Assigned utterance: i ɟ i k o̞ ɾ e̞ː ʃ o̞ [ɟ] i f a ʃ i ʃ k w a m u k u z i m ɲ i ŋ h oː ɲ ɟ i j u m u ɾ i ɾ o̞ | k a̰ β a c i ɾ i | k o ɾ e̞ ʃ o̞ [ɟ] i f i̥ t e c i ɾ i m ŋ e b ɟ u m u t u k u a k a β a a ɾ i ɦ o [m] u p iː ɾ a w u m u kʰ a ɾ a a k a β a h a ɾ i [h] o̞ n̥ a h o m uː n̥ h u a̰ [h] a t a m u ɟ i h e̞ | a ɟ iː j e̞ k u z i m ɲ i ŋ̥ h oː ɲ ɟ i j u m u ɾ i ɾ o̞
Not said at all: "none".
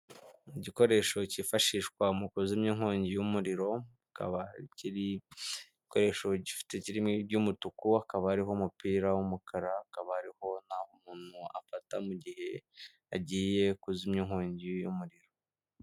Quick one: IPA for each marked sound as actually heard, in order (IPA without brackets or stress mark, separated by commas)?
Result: c, ɟ, m, h, f